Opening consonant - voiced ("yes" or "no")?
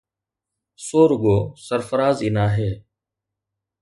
no